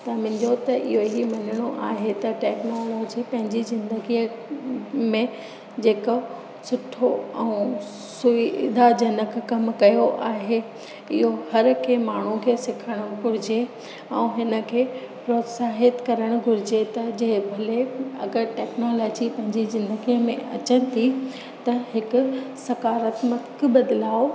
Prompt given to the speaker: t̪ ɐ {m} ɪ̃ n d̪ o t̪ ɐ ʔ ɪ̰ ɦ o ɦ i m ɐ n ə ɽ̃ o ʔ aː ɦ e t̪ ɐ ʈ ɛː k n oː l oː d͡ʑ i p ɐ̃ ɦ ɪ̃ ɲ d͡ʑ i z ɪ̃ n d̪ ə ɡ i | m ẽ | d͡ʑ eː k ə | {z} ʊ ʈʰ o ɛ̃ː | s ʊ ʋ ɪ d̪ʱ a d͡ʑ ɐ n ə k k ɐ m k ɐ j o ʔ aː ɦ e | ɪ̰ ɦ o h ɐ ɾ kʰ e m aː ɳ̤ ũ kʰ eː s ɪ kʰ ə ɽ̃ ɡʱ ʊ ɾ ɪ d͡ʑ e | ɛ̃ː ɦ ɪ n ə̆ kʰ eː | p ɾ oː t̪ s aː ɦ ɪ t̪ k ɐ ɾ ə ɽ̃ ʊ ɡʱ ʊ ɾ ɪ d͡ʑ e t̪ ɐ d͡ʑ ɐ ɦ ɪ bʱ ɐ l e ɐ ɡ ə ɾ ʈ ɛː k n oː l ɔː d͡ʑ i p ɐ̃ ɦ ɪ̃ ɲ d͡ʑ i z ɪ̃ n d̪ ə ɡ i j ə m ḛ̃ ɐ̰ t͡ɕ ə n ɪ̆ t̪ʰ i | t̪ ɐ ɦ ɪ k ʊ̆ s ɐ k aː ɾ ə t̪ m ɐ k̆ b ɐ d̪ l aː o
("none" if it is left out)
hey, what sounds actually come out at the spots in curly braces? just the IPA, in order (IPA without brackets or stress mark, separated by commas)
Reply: m, s